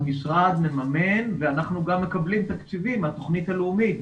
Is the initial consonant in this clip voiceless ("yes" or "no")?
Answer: no